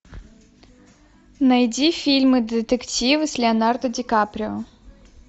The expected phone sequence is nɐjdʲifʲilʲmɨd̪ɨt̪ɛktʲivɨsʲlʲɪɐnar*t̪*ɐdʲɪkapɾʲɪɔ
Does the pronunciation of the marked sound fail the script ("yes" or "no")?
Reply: yes